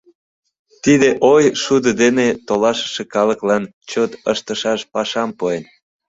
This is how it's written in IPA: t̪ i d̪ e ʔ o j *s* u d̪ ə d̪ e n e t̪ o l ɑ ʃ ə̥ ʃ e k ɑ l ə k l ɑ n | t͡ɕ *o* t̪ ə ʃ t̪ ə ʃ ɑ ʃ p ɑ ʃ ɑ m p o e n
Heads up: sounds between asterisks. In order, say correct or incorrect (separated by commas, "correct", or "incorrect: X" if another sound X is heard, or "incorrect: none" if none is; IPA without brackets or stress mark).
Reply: incorrect: ʃ, correct